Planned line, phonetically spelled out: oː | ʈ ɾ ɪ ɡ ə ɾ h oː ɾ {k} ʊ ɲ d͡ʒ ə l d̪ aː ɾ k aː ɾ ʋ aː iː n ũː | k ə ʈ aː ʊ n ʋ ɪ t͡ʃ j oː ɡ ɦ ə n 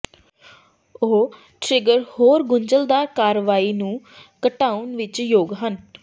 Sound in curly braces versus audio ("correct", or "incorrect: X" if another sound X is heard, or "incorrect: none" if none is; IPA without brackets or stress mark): incorrect: ɡ